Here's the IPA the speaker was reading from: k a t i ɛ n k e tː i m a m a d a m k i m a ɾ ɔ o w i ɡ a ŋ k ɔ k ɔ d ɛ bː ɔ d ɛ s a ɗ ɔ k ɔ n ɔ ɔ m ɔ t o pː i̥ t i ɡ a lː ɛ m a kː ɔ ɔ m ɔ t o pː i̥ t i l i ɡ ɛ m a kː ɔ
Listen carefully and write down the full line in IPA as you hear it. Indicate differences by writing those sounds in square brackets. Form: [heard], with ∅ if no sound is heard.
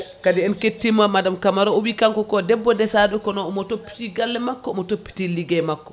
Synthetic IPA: k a [d] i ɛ n k e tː i m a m a d a m k [a] m a ɾ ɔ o w i [k] a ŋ k ɔ k ɔ d ɛ bː ɔ d ɛ s a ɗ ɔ k ɔ n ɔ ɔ m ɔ t o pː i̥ t i ɡ a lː ɛ m a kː ɔ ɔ m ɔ t o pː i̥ t i l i ɡ ɛ m a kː ɔ

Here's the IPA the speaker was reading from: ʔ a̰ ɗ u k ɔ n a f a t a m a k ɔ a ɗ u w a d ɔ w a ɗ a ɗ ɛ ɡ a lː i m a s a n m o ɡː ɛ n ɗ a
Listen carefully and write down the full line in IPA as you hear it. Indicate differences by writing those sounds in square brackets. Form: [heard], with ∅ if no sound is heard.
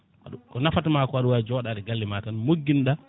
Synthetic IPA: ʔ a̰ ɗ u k ɔ n a f a t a m a k ɔ a ɗ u w a [d͡ʒ] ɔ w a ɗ a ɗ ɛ ɡ a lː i m a [t] a n m o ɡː [i] n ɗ a

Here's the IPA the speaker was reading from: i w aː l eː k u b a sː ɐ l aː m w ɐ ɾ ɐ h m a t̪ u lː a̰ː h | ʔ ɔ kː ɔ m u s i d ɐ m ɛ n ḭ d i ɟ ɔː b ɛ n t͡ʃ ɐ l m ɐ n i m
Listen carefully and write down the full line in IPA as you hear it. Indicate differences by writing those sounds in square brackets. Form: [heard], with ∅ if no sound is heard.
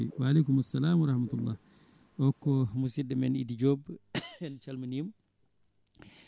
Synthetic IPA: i w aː l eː k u [m] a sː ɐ l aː m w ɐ ɾ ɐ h m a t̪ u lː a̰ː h | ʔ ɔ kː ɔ m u s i d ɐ m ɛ n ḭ d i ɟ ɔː b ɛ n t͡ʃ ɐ l m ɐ n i m

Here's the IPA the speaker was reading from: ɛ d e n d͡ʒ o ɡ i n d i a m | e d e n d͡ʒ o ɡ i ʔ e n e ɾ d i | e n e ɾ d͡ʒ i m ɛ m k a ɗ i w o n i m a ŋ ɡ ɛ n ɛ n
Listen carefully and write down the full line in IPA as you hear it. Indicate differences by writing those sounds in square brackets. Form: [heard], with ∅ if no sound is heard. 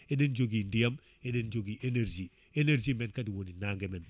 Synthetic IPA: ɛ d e n d͡ʒ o ɡ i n d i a m | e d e n d͡ʒ o ɡ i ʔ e n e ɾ [d͡ʒ] i | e n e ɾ d͡ʒ i m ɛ [n] k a [d] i w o n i [n] a ŋ ɡ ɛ [m] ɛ n

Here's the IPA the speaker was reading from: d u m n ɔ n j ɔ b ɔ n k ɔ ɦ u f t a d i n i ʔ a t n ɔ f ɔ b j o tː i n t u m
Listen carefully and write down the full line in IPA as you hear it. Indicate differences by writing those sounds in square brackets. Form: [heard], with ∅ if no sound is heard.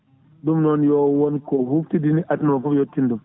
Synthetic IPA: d u m n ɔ n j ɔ [w] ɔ n k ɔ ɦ u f t [i] d i n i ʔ a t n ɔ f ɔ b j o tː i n [d] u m

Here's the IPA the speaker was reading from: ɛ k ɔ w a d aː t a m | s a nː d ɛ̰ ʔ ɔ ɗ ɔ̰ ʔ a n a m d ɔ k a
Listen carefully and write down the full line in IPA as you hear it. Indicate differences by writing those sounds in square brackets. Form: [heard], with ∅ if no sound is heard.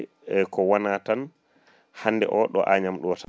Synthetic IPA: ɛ k ɔ w a [n] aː t a [n] | [h] a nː d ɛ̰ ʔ ɔ ɗ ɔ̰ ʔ a [ɲ] a m [ɗ] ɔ [t] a

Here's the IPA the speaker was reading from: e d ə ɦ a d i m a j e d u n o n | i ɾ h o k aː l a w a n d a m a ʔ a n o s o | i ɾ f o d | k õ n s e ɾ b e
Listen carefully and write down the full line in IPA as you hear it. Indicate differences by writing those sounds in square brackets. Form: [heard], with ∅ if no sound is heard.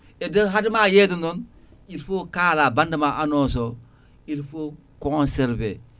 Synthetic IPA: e d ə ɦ a d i m a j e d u n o n | i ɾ [f] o k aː l a [b] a n d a m a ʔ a n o s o | i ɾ f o [∅] | k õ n s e ɾ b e

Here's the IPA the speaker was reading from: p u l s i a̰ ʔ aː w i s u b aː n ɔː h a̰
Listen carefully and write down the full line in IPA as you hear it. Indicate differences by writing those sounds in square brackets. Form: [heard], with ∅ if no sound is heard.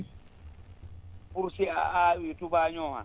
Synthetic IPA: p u [ɾ] s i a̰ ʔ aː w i [t] u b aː [ɲ] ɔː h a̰

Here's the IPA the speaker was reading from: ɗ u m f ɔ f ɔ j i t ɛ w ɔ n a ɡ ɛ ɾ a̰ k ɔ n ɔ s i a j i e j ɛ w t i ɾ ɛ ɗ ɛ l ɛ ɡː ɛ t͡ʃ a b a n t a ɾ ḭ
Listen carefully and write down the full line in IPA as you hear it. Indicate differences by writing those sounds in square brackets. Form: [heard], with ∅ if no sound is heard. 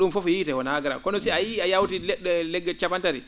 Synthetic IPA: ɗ u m f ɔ f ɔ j i t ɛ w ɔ n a ɡ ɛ ɾ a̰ k ɔ n ɔ s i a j i [a] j [a] w t i [l] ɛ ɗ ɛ l ɛ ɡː ɛ t͡ʃ a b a n t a ɾ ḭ

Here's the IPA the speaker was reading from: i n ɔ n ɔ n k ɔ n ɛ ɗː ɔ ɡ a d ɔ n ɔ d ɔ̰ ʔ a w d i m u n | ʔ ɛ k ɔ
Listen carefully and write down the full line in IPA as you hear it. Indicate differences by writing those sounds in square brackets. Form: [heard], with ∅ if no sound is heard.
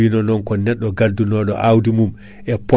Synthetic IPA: i n ɔ n ɔ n k ɔ n ɛ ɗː ɔ ɡ a d [u] n ɔ [ɗ] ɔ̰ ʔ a w d i m u [m] | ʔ ɛ [p] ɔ

